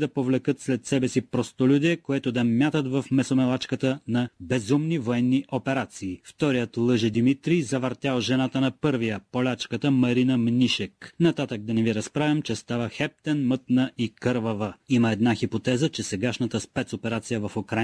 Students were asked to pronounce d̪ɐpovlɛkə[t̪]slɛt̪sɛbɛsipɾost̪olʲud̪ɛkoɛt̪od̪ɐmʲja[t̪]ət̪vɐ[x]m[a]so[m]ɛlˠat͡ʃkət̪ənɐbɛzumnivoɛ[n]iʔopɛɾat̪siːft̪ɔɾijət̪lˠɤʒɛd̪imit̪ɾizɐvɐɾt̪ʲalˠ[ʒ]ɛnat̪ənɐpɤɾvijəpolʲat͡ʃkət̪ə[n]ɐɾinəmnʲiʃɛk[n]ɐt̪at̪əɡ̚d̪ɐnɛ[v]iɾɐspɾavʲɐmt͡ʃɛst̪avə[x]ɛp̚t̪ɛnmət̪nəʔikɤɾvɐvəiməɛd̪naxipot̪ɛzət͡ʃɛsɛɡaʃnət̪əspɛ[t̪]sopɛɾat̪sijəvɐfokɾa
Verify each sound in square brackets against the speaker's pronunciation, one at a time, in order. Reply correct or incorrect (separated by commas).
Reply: correct, correct, incorrect, incorrect, correct, incorrect, correct, incorrect, correct, correct, correct, correct